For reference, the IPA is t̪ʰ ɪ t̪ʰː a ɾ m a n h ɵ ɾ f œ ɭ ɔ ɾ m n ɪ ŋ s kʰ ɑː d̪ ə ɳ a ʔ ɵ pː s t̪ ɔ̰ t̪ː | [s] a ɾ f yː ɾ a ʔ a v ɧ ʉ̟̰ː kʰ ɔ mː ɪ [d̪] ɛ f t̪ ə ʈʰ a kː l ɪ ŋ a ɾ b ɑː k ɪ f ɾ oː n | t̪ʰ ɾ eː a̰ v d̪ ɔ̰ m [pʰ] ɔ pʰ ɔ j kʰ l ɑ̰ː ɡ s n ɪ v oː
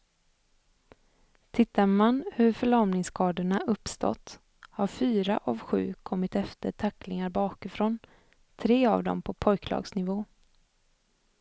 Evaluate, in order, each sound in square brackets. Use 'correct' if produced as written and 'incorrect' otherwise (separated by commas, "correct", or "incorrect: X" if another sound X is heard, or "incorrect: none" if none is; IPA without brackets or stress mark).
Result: incorrect: h, incorrect: t̪, correct